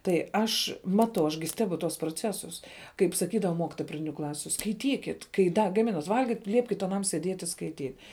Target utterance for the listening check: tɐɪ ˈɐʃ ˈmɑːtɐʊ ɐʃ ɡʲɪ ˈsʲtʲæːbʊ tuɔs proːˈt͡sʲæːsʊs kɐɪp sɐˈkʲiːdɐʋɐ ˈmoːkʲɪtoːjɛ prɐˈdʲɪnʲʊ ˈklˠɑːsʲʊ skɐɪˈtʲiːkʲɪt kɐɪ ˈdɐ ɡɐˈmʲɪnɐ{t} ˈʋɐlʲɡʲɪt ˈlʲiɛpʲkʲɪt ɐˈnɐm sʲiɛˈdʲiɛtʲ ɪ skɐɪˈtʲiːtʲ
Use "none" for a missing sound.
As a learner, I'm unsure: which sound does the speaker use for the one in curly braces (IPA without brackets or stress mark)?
t